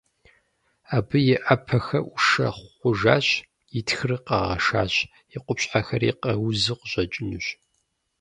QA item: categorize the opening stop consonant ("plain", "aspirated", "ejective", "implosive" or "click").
plain